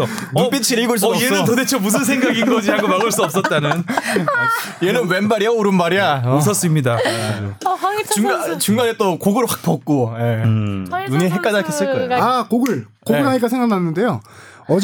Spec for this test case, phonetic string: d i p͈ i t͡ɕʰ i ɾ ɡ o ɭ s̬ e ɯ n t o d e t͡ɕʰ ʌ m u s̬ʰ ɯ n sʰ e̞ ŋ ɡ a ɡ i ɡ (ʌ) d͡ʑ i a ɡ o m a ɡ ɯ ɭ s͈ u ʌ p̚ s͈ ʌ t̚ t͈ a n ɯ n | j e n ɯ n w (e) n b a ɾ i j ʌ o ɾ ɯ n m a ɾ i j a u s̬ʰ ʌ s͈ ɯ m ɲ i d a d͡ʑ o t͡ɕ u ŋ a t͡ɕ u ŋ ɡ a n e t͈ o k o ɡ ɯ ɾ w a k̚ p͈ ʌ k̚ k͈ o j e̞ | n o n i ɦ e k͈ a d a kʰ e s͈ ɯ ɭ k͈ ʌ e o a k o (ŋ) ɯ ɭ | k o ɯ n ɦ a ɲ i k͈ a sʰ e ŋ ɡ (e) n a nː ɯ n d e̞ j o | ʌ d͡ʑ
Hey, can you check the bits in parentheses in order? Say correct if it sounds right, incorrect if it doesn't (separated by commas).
correct, correct, incorrect, incorrect